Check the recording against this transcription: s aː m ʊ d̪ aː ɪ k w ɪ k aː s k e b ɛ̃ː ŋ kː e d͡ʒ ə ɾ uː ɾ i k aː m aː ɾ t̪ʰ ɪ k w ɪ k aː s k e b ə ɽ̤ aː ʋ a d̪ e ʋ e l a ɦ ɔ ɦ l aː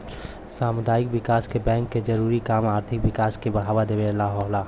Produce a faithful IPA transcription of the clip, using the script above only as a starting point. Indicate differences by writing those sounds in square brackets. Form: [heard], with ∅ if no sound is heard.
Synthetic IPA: s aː m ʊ d̪ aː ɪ k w ɪ k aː s k e b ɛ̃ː ŋ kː e d͡ʒ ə ɾ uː ɾ i k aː m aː ɾ t̪ʰ ɪ k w ɪ k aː s k e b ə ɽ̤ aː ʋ a d̪ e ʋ e l a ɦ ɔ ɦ l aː